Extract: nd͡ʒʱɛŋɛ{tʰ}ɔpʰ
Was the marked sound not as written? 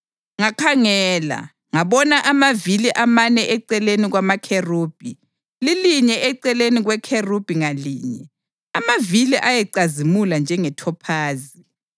no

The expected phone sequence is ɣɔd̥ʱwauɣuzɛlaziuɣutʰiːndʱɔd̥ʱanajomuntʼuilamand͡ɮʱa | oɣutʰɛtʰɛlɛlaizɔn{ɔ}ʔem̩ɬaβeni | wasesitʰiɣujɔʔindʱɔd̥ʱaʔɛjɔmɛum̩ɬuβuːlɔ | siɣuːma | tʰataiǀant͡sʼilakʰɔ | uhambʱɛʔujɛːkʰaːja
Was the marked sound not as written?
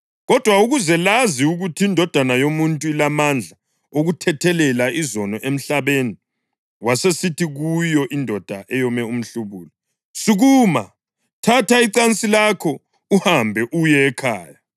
no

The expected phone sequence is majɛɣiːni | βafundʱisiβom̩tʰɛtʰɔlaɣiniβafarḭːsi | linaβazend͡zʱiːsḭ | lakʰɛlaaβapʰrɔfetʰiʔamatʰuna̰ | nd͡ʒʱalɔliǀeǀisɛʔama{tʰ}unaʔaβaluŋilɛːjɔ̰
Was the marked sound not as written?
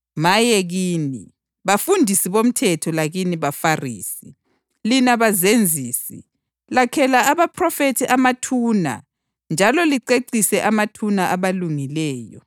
no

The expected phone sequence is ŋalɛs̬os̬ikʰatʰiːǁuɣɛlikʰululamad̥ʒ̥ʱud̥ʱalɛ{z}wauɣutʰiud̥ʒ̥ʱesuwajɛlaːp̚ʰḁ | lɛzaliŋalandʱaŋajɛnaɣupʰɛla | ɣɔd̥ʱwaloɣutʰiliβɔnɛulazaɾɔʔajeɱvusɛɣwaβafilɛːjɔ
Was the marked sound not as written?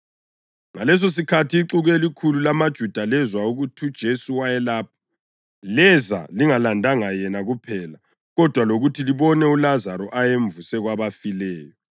no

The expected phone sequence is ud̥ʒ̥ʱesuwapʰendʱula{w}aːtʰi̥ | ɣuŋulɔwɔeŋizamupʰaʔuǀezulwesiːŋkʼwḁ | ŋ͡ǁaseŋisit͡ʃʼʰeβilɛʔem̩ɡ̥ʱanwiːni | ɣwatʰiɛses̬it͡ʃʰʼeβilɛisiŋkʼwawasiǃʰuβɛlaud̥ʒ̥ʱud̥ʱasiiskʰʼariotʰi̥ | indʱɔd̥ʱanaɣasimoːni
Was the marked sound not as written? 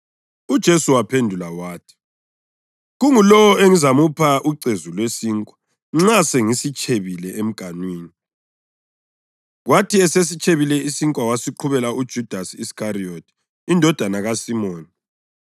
no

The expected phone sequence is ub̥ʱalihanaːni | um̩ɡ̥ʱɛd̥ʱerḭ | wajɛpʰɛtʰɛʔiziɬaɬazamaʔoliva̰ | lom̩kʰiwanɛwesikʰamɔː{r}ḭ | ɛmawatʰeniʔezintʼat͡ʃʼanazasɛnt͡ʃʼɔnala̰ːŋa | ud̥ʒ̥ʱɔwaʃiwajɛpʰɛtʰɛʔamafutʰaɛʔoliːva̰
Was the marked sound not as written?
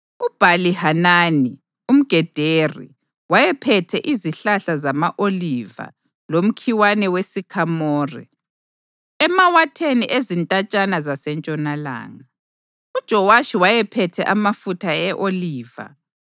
no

